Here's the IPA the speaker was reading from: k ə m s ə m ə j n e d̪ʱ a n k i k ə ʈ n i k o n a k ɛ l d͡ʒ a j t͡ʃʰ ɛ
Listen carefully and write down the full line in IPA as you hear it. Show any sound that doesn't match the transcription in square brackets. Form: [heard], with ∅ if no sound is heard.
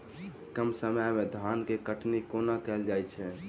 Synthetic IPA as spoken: k ə m s ə m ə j [m] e d̪ʱ a n k [e] k ə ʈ n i k o n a k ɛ l d͡ʒ a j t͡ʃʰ ɛ